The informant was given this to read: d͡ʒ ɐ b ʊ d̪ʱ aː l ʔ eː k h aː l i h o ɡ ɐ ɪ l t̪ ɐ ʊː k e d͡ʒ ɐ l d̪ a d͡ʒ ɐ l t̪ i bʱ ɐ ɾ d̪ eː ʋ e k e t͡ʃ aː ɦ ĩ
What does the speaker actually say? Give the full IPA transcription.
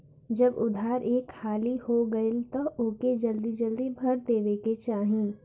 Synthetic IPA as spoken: d͡ʒ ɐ b ʊ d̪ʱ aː ɾ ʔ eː k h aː l i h o ɡ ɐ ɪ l t̪ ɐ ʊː k e d͡ʒ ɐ l d̪ i d͡ʒ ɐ l d̪ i bʱ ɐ ɾ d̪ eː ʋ e k e t͡ʃ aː ɦ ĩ